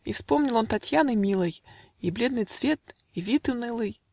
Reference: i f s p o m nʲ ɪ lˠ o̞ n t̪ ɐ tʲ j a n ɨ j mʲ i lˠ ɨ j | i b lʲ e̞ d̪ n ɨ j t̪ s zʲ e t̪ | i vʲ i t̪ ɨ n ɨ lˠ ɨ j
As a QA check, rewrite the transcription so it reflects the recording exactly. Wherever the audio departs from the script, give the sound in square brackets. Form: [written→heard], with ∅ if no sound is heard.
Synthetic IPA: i f s p o m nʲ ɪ lˠ o̞ n t̪ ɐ tʲ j a n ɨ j mʲ i lˠ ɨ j | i b lʲ e̞ d̪ n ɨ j t̪ s [zʲ→vʲ] e t̪ | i vʲ i t̪ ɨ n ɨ lˠ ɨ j